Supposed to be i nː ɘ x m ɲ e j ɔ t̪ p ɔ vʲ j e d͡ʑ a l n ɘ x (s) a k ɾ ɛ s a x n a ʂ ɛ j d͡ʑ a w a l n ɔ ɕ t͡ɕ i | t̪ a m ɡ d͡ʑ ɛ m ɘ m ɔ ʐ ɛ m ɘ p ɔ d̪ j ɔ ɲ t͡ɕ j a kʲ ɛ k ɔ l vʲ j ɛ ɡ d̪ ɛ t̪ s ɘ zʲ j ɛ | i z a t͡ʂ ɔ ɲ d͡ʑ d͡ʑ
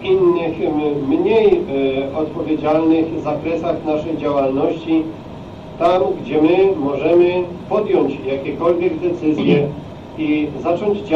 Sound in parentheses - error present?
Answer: yes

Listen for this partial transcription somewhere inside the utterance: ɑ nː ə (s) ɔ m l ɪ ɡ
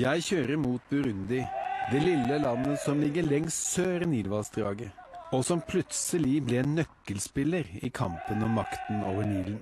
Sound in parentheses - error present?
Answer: no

